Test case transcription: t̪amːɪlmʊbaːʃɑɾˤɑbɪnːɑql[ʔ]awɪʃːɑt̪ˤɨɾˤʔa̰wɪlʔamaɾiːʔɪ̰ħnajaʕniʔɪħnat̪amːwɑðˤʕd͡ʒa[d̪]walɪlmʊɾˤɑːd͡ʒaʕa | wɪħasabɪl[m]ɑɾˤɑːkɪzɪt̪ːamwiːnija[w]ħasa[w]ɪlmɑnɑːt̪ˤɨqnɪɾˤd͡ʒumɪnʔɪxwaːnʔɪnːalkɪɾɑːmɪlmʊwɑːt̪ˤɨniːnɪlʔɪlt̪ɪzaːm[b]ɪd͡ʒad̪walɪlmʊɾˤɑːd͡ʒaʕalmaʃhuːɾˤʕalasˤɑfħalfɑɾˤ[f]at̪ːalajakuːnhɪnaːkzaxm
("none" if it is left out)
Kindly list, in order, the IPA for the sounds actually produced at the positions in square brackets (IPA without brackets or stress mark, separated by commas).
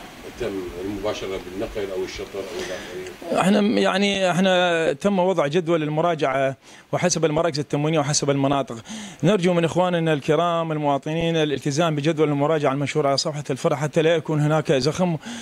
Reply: ʔ, d̪, m, w, b, b, ħ